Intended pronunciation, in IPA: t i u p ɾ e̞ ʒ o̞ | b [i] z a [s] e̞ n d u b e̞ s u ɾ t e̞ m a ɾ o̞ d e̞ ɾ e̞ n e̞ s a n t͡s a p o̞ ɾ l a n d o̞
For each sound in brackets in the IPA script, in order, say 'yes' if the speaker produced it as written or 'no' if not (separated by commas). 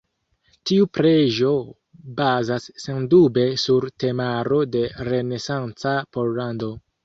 no, no